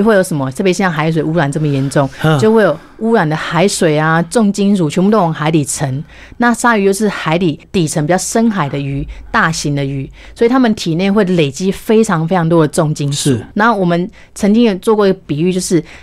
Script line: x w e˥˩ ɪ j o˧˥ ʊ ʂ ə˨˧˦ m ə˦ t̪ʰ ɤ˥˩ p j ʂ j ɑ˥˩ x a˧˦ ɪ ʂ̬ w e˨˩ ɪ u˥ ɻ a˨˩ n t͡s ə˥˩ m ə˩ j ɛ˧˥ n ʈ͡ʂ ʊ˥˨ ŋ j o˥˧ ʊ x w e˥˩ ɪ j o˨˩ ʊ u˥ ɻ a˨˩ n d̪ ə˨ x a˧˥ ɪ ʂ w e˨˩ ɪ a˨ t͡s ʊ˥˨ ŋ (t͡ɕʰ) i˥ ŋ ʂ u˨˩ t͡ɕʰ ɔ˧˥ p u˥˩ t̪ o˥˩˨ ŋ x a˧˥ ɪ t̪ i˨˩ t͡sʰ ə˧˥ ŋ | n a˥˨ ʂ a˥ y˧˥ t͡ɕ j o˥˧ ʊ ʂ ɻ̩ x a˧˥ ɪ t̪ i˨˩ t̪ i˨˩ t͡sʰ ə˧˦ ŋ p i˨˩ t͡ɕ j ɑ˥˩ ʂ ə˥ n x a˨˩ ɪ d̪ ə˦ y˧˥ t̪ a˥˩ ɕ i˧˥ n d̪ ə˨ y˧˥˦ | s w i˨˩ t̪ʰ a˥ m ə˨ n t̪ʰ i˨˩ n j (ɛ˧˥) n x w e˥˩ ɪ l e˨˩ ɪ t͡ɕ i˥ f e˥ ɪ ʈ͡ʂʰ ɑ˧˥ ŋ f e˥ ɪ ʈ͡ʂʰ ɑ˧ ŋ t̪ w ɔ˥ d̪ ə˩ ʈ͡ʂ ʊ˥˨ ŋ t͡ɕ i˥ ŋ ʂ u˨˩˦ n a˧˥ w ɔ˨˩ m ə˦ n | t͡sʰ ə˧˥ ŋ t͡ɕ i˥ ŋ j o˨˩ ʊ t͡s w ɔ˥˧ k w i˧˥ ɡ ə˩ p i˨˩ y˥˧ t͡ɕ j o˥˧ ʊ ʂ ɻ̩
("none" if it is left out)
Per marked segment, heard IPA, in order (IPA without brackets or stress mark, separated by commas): t͡ɕ, ɛ˥˧